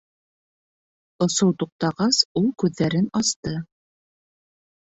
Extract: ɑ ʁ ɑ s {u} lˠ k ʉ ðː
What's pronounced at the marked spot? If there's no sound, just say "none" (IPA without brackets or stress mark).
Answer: u